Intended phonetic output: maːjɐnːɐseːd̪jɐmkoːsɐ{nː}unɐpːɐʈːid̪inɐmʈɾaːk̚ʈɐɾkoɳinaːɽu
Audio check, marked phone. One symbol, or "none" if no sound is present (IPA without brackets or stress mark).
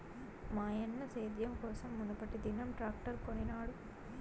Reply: mː